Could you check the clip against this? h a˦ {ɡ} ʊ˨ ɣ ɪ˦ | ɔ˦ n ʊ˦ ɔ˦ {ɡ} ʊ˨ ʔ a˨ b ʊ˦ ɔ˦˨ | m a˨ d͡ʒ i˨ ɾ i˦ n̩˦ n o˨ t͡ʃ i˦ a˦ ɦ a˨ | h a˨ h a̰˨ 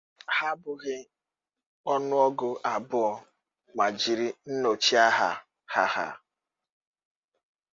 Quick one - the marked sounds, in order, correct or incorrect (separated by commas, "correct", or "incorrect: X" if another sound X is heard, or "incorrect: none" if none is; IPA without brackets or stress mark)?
incorrect: b, correct